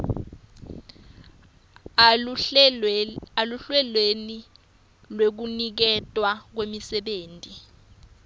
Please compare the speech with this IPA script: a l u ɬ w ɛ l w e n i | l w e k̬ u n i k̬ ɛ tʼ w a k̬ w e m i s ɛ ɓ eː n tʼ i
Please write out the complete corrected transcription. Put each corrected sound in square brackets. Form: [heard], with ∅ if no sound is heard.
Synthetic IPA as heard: a l u ɬ w ɛ l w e n i | l w e k̬ u n i k̬ ɛ tʼ w a k̬ w e m i s ɛ ɓ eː n tʼ i